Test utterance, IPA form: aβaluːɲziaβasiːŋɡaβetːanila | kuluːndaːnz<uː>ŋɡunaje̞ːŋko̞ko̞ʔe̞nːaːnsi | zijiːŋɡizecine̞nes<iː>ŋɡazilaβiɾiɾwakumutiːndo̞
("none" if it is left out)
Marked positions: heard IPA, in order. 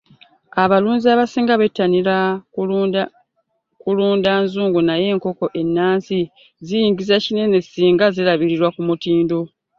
uː, iː

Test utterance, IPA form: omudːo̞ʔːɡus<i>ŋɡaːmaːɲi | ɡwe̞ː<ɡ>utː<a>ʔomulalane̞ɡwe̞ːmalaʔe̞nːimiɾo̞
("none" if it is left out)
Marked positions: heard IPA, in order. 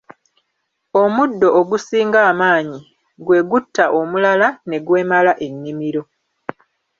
iː, ɡ, a

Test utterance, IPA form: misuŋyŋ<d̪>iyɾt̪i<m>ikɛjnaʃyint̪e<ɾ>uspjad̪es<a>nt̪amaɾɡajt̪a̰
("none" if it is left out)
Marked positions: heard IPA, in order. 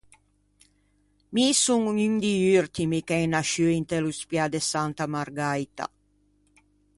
d̪, m, l, a

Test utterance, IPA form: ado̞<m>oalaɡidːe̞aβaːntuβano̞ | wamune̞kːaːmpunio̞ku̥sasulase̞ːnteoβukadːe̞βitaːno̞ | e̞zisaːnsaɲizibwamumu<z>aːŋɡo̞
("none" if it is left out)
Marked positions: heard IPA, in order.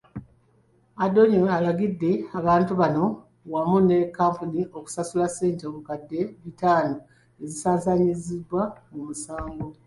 ɲ, s

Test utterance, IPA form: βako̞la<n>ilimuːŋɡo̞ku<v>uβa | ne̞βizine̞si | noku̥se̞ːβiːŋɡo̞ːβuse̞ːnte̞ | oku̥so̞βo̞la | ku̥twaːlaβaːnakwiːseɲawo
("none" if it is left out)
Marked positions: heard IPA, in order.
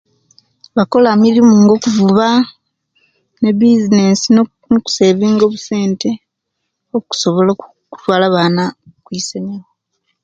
m, v

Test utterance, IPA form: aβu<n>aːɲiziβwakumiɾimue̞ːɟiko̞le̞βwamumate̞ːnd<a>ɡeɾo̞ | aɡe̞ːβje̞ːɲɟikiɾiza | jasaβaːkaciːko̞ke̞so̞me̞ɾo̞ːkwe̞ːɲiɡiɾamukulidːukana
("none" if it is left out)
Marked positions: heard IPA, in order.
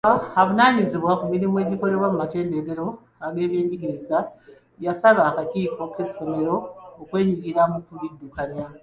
n, e

